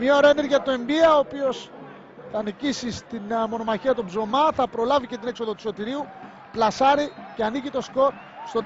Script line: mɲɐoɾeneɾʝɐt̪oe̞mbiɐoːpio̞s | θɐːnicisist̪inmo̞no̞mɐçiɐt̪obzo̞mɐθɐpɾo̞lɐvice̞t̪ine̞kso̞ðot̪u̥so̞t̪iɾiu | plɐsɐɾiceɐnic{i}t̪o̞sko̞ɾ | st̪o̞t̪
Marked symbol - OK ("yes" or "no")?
yes